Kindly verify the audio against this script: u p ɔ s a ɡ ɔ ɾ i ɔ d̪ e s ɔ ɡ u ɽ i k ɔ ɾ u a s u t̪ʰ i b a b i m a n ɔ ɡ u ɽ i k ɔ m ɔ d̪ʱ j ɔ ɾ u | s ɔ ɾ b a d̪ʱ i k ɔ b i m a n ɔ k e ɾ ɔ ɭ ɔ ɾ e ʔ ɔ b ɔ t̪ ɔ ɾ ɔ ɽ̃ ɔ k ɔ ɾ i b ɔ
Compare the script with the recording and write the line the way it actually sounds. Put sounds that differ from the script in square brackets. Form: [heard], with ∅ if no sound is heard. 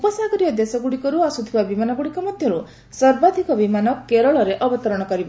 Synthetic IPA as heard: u p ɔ s a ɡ ɔ ɾ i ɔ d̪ e s ɔ ɡ u ɽ i k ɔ ɾ u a s u t̪ʰ i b a b i m a n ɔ ɡ u ɽ i k ɔ m ɔ d̪ʱ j ɔ ɾ u | s ɔ ɾ b a d̪ʱ i k ɔ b i m a n ɔ k e ɾ ɔ ɭ ɔ ɾ e ʔ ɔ b ɔ t̪ ɔ ɾ ɔ ɽ̃ ɔ k ɔ ɾ i b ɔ

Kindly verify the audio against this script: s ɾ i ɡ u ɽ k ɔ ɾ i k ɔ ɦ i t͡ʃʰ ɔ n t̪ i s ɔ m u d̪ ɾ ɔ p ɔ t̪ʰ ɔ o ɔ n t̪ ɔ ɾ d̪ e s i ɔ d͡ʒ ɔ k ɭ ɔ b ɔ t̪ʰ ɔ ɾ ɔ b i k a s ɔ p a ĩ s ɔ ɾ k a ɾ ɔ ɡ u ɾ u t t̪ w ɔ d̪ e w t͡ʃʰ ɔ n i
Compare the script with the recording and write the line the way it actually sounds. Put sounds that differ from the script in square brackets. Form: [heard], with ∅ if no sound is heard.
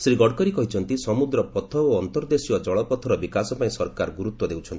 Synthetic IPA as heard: s ɾ i ɡ [ɔ] ɽ k ɔ ɾ i k ɔ ɦ i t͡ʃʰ ɔ n t̪ i s ɔ m u d̪ ɾ ɔ p ɔ t̪ʰ ɔ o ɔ n t̪ ɔ ɾ d̪ e s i ɔ d͡ʒ ɔ [∅] ɭ ɔ [p] ɔ t̪ʰ ɔ ɾ ɔ b i k a s ɔ p a ĩ s ɔ ɾ k a ɾ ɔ ɡ u ɾ u t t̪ w ɔ d̪ e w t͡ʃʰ ɔ n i

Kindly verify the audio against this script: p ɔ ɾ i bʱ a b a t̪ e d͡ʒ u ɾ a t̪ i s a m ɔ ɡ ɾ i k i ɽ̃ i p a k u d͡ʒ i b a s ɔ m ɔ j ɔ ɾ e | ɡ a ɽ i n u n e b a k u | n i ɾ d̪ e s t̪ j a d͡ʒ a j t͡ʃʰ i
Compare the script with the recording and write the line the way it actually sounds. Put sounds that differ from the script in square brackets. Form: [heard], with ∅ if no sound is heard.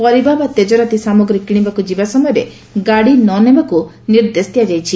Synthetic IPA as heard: p ɔ ɾ i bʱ a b a t̪ e d͡ʒ [ɔ] ɾ a t̪ i s a m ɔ ɡ ɾ i k i ɽ̃ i [b] a k u d͡ʒ i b a s ɔ m ɔ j ɔ ɾ e | ɡ a ɽ i n [ɔ] n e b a k u | n i ɾ d̪ e s t̪ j a d͡ʒ a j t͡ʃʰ i

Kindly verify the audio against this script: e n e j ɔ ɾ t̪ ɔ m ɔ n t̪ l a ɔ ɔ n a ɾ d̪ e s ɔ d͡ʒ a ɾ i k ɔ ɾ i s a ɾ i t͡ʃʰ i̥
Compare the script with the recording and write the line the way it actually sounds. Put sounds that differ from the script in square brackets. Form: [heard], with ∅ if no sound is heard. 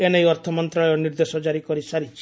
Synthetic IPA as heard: e n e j ɔ ɾ [t̪ʰ] ɔ m ɔ n t̪ [ɾ] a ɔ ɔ n [i] ɾ d̪ e s ɔ d͡ʒ a ɾ i k ɔ ɾ i s a ɾ i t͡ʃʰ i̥

